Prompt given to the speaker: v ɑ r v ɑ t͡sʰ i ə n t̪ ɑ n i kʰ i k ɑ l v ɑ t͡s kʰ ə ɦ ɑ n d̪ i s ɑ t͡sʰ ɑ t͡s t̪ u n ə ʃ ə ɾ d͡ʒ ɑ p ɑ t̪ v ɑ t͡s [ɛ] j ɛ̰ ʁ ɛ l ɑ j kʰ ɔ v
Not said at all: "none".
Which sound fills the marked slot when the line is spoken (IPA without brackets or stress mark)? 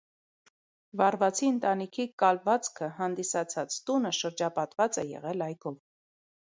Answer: ɛ